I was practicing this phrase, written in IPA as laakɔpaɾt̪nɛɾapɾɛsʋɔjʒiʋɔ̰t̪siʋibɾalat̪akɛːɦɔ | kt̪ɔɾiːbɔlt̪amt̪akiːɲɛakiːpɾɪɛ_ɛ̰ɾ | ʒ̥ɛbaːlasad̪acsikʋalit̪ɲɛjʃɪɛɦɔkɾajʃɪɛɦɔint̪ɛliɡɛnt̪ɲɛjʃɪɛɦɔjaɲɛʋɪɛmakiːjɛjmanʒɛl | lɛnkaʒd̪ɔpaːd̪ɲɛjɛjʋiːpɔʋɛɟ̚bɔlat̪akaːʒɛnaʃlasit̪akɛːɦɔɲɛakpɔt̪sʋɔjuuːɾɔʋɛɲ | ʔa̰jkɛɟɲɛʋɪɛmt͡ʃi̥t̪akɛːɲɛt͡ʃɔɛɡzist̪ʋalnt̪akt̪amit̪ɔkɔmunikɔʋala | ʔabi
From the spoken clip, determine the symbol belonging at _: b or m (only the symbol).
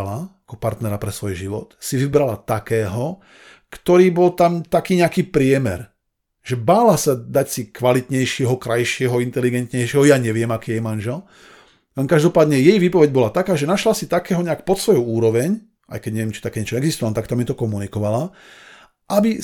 m